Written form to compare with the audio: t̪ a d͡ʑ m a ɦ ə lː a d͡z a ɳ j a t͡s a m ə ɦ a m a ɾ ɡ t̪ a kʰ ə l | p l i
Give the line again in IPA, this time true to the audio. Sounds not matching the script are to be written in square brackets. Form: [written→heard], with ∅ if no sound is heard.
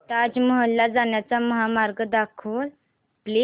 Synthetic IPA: t̪ a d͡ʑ m [a→ə] ɦ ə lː a d͡z a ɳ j a t͡s a m ə ɦ a m a ɾ ɡ [t̪→d̪] a kʰ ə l | p l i